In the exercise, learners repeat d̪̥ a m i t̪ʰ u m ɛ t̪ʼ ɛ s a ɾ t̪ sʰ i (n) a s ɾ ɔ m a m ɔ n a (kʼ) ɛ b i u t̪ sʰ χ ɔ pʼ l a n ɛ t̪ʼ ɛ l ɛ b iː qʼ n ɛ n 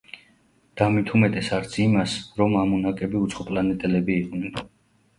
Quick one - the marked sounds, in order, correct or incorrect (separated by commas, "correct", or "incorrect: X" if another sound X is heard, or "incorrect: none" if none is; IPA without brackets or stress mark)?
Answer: incorrect: m, correct